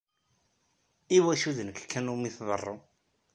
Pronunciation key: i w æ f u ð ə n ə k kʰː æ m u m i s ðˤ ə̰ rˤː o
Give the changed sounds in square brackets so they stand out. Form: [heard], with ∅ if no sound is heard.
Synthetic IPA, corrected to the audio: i w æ [ʃ] u ð ə n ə k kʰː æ [n] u m i [θ] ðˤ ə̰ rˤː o